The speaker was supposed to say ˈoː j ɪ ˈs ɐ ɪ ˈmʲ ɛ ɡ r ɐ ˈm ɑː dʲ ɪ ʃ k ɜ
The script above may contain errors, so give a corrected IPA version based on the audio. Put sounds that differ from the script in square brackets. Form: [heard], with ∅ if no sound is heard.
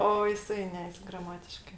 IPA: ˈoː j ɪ ˈs ɐ ɪ [ˈnʲ] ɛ ɡ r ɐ ˈm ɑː [tʲ] ɪ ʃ k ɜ